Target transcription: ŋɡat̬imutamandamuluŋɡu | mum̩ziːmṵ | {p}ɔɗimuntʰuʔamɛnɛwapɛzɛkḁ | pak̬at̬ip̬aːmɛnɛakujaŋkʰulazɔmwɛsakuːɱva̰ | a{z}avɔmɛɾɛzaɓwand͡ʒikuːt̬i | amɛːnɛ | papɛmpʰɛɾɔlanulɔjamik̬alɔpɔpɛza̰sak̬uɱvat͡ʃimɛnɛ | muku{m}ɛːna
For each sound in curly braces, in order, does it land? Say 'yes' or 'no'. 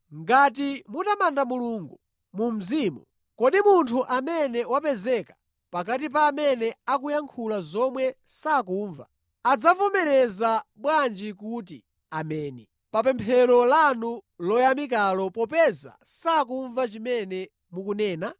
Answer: no, no, no

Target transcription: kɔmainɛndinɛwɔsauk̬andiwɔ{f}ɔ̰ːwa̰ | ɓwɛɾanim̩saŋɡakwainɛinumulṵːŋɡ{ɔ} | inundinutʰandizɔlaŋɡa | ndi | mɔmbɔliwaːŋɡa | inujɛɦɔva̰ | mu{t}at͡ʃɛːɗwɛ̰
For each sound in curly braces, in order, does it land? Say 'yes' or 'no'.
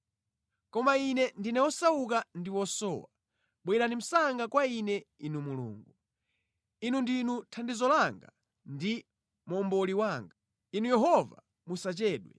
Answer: no, no, no

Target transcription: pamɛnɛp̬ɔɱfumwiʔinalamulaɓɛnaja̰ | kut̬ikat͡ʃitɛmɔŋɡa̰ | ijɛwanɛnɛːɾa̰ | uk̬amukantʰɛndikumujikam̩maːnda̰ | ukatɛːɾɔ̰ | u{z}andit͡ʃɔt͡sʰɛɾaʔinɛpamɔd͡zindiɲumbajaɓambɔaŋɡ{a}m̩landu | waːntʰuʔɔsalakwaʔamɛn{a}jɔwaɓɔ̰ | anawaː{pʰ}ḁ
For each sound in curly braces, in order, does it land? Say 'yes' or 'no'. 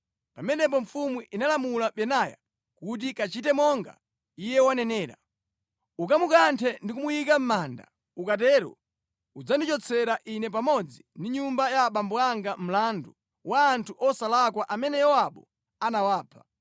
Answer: no, yes, no, yes

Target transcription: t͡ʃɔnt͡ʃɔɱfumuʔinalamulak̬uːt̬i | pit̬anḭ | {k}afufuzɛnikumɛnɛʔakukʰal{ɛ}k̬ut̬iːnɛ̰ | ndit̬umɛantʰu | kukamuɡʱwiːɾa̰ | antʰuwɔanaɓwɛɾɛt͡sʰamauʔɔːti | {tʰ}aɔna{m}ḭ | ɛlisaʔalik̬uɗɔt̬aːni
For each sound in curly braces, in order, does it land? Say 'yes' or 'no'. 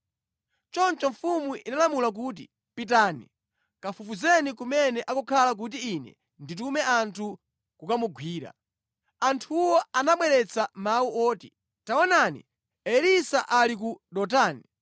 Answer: yes, no, no, no

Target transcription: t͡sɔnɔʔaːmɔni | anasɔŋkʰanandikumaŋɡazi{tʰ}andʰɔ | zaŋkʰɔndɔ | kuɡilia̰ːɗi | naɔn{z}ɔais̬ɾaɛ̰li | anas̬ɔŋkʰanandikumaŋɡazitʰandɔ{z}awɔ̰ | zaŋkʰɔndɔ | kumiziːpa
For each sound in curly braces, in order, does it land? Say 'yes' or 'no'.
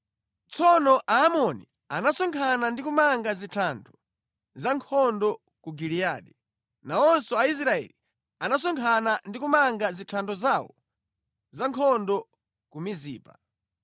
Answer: yes, no, yes

